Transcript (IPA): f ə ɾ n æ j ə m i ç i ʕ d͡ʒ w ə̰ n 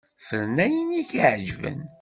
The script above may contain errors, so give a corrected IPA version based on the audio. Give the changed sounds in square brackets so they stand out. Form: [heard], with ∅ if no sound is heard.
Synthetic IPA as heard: f ə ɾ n æ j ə [n] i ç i ʕ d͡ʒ [v] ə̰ n